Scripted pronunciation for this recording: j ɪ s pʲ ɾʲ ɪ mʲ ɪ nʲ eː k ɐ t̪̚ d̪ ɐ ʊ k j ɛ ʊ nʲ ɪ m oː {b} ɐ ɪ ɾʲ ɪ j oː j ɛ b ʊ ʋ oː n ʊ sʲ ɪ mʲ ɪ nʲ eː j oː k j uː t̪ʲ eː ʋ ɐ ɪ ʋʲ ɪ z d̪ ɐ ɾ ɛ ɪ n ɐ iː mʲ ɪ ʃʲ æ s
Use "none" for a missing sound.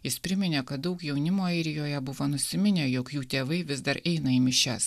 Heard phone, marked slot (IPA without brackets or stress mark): none